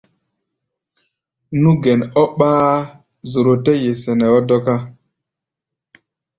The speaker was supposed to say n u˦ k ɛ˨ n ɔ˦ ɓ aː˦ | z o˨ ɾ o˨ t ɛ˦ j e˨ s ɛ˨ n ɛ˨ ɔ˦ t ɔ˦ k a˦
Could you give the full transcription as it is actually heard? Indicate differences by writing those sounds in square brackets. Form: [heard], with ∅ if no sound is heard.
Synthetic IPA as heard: n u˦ [ɡ] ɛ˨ n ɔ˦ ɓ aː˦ | z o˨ ɾ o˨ t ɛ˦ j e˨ s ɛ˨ n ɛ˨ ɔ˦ [d] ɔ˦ k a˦